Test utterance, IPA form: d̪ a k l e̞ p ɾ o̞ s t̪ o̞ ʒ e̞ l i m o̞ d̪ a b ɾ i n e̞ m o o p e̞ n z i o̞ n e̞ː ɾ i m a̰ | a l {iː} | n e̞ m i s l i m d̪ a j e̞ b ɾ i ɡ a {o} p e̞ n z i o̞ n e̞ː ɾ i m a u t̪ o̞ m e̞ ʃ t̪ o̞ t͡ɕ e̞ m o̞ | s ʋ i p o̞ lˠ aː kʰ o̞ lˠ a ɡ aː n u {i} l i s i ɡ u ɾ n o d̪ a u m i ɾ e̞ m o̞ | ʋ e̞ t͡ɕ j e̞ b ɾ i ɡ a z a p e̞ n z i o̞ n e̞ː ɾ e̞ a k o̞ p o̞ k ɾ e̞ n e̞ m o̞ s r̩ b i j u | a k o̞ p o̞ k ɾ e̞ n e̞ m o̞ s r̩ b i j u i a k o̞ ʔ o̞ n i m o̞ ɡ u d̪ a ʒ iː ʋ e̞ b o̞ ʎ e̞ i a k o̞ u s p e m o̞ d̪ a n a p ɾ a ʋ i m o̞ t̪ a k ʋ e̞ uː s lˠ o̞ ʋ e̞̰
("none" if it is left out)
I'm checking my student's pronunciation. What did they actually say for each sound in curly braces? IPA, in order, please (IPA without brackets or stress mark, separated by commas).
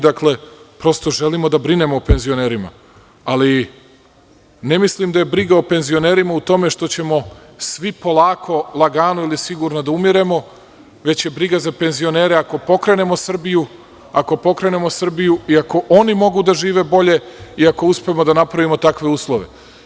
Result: i, o, i